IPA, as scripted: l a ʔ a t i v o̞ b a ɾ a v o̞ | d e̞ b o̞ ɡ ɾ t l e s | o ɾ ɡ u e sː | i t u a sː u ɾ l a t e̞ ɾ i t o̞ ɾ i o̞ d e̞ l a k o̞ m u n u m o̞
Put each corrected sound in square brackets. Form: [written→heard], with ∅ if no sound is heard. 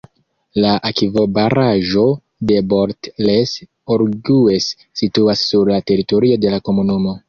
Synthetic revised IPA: l a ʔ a [t→k] i v o̞ b a ɾ a [v→ʒ] o̞ | d e̞ b o̞ [ɡ→∅] ɾ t l e s | o ɾ ɡ u e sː | i t u a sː u ɾ l a t e̞ ɾ i t o̞ ɾ i o̞ d e̞ l a k o̞ m u n u m o̞